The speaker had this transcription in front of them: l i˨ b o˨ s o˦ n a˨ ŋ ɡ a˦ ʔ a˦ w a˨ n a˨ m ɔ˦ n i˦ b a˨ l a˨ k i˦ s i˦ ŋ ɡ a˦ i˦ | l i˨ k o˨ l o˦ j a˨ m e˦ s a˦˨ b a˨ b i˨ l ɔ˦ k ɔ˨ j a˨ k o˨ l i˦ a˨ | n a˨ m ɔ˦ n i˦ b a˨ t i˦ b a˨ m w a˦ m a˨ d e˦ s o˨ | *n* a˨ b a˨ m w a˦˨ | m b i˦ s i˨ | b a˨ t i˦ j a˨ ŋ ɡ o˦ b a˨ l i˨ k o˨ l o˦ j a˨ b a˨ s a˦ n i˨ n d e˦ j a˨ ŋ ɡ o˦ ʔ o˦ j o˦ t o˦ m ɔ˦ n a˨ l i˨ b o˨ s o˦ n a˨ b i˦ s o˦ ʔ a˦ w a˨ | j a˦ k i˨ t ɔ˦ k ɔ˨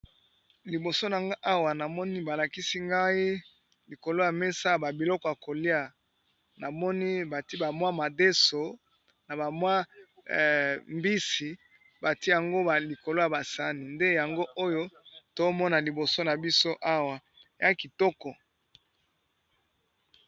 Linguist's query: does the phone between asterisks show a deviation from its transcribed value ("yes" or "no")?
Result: no